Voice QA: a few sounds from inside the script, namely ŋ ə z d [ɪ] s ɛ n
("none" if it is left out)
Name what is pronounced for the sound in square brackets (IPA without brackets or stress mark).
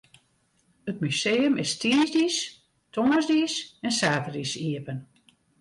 i